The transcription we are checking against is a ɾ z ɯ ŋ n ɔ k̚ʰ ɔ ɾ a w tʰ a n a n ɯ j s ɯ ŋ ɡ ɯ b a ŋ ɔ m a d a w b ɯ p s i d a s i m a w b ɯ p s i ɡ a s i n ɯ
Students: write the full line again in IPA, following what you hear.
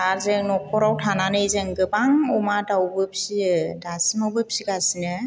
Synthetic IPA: a ɾ z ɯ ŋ n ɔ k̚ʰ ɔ ɾ a w tʰ a n a n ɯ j z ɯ ŋ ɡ ɯ b a ŋ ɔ m a d a w b ɯ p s i d a s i m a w b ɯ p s i ɡ a s i n ɯ